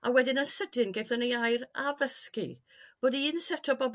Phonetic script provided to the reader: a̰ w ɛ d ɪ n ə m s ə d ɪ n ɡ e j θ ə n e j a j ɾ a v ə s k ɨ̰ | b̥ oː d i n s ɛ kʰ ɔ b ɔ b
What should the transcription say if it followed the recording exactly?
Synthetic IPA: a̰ w ɛ d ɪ n ə n s ə d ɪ n ɡ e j θ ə n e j a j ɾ a v ə s k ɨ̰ | b̥ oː d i n s ɛ tʰ ɔ b ɔ b